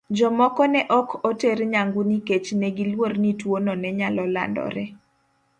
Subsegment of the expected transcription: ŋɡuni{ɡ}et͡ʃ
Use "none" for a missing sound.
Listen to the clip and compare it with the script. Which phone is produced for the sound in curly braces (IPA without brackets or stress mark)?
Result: k